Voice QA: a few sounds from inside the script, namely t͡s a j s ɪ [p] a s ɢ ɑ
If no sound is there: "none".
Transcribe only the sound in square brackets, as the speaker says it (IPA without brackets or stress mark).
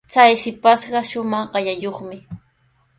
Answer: p